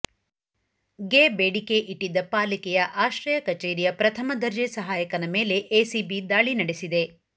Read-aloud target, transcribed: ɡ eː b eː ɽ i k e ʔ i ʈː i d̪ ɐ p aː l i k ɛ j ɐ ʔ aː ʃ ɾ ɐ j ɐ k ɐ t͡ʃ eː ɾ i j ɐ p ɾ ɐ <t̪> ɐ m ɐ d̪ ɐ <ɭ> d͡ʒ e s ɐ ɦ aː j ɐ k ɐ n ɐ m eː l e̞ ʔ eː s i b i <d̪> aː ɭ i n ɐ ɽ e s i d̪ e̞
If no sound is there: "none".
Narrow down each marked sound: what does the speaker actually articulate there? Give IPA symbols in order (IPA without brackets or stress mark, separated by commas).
t̪ʰ, ɾ, d̪